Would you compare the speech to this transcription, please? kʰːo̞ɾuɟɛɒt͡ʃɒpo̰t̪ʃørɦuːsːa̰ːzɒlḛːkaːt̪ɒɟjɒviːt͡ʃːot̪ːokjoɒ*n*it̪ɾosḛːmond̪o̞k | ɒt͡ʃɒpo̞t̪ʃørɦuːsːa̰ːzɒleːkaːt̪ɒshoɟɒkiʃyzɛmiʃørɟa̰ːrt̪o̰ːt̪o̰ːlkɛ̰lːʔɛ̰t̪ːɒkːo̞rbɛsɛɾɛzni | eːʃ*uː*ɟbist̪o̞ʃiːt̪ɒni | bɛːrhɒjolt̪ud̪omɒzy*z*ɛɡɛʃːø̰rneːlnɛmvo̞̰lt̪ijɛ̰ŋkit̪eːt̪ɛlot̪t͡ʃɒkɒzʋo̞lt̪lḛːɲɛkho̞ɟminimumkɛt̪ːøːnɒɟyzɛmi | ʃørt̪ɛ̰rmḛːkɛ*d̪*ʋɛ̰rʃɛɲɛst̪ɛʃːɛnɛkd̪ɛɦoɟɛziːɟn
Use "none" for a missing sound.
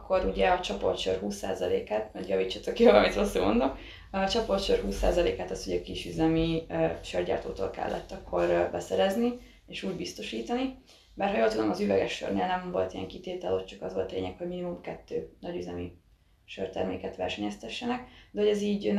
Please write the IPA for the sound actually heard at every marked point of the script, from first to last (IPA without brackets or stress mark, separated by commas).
m, uː, v, t̪